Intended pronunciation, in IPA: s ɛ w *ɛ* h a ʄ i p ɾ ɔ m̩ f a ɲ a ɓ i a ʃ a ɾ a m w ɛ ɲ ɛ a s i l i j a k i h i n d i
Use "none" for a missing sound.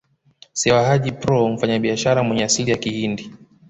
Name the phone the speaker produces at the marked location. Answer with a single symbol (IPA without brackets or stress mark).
a